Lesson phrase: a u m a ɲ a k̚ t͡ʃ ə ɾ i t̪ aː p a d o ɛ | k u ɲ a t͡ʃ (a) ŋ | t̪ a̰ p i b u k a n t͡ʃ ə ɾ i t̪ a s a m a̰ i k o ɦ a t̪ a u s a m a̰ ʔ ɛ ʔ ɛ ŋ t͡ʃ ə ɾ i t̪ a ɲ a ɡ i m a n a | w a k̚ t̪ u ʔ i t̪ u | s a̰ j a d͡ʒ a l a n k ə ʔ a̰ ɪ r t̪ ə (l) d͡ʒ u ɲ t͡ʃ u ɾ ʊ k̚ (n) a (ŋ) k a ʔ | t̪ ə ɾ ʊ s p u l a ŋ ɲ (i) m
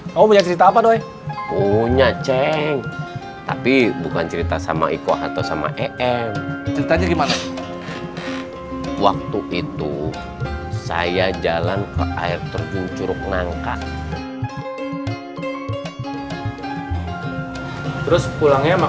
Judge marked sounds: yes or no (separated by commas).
no, no, yes, yes, no